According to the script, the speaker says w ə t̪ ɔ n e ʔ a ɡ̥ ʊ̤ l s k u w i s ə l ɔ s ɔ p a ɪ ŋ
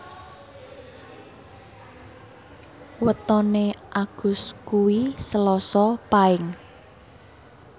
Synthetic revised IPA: w ə t̪ ɔ n e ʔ a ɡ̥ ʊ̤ s k u w i s ə l ɔ s ɔ p a ɪ ŋ